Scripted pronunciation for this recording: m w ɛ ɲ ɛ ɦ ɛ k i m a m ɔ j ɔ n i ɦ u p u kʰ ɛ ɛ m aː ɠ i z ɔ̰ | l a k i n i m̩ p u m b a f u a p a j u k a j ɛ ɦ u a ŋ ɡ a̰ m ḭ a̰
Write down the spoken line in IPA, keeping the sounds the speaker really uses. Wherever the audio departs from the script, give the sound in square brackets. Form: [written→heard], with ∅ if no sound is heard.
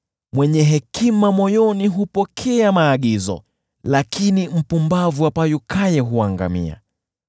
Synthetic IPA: m w ɛ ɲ ɛ ɦ ɛ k i m a m ɔ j ɔ n i ɦ u p [u→ɔ] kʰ ɛ [ɛ→a] m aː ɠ i z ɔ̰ | l a k i n i m̩ p u m b a [f→v] u a p a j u k a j ɛ ɦ u a ŋ ɡ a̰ m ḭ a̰